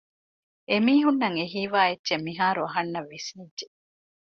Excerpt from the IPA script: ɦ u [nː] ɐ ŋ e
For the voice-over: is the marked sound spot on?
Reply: yes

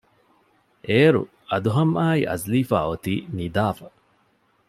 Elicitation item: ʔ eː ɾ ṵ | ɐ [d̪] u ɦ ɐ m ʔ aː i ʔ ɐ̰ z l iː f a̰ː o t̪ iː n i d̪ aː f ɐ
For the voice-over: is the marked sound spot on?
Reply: yes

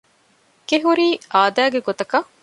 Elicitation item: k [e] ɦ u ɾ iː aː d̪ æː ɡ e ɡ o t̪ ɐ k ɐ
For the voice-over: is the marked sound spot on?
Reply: yes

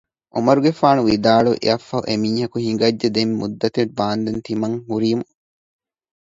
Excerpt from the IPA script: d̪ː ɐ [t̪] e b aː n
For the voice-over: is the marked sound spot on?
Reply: yes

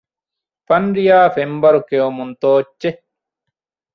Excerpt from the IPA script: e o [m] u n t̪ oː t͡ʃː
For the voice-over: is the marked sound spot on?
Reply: yes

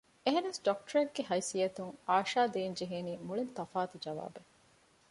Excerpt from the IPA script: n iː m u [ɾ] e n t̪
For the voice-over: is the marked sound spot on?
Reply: no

